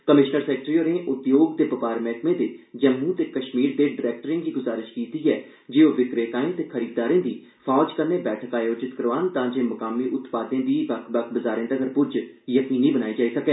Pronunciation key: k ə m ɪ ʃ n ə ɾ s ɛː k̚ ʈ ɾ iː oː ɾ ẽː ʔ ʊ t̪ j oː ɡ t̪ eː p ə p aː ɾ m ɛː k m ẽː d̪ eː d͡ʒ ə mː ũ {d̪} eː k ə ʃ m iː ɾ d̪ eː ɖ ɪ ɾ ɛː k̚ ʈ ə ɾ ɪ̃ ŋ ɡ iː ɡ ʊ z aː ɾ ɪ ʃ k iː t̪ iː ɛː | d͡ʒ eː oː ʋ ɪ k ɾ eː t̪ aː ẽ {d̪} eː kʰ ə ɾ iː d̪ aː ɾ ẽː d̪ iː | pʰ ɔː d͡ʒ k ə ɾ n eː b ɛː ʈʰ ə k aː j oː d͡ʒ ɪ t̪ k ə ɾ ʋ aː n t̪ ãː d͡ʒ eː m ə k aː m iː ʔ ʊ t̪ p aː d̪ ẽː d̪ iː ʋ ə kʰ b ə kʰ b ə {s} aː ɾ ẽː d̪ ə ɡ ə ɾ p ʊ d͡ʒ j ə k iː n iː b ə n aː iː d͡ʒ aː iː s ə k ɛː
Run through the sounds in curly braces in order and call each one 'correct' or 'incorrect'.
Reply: incorrect: t̪, incorrect: t̪, incorrect: z

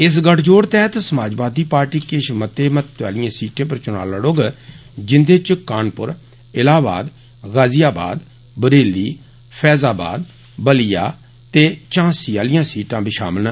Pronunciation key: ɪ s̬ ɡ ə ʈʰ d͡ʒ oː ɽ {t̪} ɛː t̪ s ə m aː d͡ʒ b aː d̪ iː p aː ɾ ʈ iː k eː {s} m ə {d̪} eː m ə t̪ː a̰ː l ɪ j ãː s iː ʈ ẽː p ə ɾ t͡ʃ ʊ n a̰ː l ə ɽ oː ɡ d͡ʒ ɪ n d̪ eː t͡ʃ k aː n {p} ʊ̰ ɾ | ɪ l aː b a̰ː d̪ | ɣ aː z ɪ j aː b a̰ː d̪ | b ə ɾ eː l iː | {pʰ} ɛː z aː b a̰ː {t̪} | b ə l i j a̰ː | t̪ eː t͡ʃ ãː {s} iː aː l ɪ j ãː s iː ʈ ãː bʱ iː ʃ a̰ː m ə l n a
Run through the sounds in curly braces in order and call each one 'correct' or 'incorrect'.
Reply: correct, incorrect: ʃ, incorrect: t̪, correct, correct, incorrect: d̪, correct

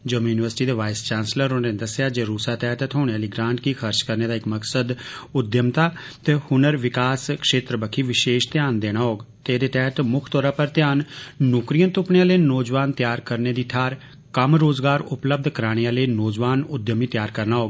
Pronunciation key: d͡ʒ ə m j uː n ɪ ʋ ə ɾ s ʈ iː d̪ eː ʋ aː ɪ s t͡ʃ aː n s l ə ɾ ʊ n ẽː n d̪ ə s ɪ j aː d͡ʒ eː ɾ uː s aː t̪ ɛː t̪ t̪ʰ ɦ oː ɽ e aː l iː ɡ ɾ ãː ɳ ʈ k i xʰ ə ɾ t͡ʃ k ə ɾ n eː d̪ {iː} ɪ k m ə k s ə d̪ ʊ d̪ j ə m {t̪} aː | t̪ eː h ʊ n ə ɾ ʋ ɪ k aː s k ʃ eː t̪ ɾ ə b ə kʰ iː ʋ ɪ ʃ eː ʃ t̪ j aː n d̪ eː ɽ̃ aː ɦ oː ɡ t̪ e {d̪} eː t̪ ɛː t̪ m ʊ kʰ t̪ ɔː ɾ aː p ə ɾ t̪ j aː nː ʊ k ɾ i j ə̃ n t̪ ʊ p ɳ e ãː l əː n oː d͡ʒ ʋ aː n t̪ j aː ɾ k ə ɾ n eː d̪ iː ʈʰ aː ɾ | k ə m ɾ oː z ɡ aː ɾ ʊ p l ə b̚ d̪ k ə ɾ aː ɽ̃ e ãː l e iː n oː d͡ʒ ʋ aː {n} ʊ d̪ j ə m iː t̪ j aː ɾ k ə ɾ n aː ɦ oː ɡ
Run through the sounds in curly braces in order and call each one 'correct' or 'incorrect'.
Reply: incorrect: aː, correct, correct, correct

